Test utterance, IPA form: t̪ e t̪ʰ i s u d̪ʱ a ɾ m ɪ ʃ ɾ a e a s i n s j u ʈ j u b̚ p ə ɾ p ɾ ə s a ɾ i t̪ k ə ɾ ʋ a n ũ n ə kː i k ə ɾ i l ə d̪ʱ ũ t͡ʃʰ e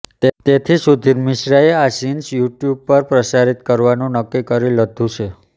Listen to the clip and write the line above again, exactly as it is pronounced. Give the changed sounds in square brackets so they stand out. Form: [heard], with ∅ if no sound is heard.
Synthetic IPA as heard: t̪ e t̪ʰ i s u d̪ʱ [i] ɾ m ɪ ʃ ɾ a e a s i n s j u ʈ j u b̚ p ə ɾ p ɾ ə s a ɾ i t̪ k ə ɾ ʋ a n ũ n ə kː i k ə ɾ i l ə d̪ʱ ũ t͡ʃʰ e